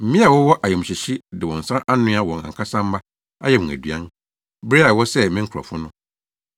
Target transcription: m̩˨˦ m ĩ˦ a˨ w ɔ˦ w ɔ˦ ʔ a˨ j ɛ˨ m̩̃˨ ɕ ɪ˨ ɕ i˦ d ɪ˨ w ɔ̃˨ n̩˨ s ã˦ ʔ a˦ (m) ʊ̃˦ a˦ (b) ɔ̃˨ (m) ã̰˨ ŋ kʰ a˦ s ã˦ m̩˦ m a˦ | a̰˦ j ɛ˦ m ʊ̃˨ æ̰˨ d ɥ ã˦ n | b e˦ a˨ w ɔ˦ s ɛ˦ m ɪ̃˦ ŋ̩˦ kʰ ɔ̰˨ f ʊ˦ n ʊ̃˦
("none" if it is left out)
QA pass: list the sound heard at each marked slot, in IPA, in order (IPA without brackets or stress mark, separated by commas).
n, w, ŋ